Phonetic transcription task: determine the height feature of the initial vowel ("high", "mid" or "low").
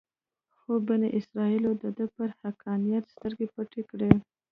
mid